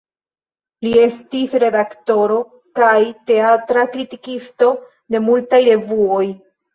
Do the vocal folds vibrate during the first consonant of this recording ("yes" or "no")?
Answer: yes